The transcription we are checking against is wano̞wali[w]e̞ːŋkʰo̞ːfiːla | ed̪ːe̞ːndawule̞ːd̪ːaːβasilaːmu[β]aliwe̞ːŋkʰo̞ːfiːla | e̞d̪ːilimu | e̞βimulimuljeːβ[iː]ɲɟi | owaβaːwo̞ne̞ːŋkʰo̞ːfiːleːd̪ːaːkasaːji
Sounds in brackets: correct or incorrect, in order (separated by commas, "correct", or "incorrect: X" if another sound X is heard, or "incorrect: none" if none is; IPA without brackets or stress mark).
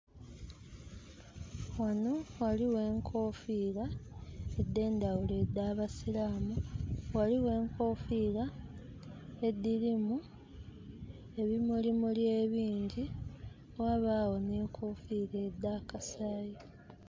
correct, incorrect: w, correct